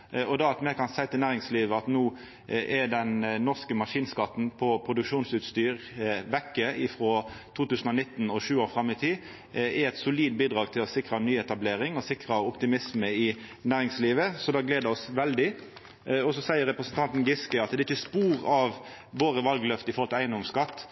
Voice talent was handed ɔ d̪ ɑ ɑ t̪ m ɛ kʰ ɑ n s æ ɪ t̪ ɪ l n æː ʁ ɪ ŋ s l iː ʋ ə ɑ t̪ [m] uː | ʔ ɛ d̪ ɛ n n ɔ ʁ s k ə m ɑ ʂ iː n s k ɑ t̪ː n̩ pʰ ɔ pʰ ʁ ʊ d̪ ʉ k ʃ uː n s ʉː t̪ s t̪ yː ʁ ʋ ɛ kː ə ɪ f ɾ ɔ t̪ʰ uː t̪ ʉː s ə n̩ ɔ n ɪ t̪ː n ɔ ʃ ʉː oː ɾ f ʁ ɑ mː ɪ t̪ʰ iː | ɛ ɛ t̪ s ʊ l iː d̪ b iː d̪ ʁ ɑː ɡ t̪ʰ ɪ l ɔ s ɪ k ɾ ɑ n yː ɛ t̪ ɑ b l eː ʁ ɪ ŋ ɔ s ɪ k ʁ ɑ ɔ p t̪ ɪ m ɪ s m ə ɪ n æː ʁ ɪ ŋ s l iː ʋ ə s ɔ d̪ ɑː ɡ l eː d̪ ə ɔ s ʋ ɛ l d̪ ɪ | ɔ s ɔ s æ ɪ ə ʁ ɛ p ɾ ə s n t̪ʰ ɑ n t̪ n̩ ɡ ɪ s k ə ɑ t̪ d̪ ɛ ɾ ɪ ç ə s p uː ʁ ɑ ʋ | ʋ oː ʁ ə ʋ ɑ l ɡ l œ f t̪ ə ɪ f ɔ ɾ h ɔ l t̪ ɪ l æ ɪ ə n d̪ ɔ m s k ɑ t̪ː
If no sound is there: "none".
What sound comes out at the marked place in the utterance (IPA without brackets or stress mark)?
n